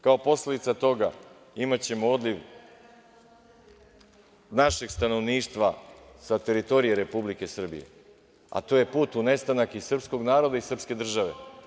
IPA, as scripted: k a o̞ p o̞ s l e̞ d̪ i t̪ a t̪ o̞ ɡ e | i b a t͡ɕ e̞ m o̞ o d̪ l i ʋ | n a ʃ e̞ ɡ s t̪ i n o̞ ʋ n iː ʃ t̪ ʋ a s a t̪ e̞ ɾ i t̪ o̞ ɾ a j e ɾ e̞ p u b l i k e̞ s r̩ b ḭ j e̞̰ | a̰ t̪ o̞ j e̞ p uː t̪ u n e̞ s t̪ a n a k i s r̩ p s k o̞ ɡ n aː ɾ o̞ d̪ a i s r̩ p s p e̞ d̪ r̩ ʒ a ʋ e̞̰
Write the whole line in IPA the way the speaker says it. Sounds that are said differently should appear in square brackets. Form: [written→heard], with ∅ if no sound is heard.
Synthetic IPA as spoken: k a o̞ p o̞ s l e̞ d̪ i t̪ a t̪ o̞ ɡ [e→a] | i [b→m] a t͡ɕ e̞ m o̞ o d̪ l i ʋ | n a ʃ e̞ ɡ s t̪ [i→a] n o̞ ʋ n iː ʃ t̪ ʋ a s a t̪ e̞ ɾ i t̪ o̞ ɾ [a→i] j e ɾ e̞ p u b l i k e̞ s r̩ b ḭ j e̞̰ | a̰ t̪ o̞ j e̞ p uː t̪ u n e̞ s t̪ a n a k i s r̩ p s k o̞ ɡ n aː ɾ o̞ d̪ a i s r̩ p s [p→k] e̞ d̪ r̩ ʒ a ʋ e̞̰